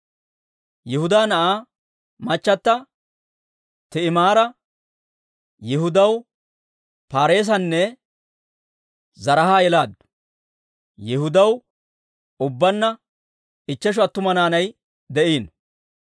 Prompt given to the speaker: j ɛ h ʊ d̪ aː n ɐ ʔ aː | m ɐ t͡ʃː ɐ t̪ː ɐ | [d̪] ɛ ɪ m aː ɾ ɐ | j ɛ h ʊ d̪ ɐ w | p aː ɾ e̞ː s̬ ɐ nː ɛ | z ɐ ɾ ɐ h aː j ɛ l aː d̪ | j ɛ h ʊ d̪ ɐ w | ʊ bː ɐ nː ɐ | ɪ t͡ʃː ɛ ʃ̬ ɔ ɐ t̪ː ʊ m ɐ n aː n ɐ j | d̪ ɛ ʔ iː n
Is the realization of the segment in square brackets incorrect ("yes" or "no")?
yes